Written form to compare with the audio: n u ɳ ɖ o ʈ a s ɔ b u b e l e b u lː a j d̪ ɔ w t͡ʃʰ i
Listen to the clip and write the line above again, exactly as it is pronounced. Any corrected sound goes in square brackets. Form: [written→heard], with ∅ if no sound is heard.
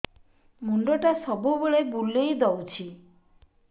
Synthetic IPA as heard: [n→m] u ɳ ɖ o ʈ a s ɔ b u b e [l→ɭ] e b u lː [a→e] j d̪ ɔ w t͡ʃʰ i